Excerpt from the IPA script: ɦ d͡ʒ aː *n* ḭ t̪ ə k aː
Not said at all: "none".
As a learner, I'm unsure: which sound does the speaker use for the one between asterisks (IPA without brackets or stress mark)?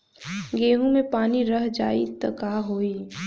none